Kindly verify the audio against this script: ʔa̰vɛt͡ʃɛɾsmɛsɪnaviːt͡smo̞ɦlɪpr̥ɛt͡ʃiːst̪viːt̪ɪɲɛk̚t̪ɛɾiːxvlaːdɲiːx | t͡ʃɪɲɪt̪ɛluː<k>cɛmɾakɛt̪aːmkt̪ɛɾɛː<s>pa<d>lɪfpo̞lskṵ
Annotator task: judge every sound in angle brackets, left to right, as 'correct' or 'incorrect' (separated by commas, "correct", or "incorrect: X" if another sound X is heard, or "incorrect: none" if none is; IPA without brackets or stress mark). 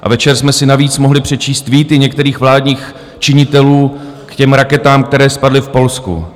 correct, correct, correct